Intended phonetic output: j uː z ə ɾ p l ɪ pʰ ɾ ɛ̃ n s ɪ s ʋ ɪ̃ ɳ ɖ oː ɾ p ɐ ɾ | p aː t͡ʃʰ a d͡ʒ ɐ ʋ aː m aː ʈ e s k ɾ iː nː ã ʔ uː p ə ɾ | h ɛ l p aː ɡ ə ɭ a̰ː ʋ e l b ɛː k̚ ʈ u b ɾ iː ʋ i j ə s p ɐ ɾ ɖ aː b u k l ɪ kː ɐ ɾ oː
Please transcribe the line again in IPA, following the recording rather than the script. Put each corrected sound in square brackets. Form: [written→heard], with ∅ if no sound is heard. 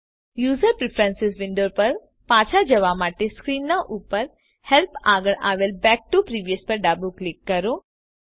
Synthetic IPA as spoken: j uː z ə ɾ p [l→ɾ] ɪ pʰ ɾ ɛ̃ n s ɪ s ʋ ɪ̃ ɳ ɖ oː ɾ p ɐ ɾ | p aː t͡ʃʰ a d͡ʒ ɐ ʋ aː m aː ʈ e s k ɾ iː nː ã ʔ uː p ə ɾ | h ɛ l p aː ɡ ə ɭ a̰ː ʋ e l b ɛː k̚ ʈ u [b→p] ɾ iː ʋ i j ə s p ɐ ɾ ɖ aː b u k l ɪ kː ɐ ɾ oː